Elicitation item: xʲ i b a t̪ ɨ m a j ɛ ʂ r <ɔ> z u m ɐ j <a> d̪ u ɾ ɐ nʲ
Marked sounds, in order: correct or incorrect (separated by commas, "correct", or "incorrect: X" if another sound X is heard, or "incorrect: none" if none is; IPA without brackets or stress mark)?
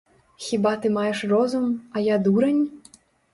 correct, correct